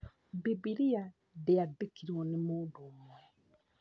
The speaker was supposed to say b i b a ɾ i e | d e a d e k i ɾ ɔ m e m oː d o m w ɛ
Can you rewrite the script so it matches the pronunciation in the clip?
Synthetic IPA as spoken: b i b i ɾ i a | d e a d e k i ɾ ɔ n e m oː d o m w ɛ